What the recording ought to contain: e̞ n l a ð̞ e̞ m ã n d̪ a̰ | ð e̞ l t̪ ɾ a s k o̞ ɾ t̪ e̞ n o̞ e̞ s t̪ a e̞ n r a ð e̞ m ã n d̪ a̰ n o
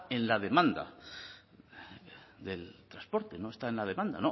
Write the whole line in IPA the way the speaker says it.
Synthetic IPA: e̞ n l a ð̞ e̞ m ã n d̪ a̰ | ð e̞ l t̪ ɾ a s p o̞ ɾ t̪ e̞ n o̞ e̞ s t̪ a e̞ n l a ð e̞ m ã n d̪ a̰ n o